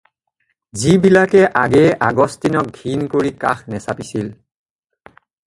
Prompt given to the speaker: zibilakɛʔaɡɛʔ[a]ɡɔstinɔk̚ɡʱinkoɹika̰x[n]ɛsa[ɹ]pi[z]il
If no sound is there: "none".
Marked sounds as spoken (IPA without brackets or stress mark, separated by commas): a, n, none, s